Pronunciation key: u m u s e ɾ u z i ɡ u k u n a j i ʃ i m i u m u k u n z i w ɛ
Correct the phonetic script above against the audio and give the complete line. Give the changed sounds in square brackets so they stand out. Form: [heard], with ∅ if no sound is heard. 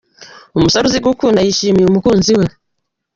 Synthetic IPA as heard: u m u s [a] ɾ u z i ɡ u k u n a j i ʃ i m i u m u k u n z i w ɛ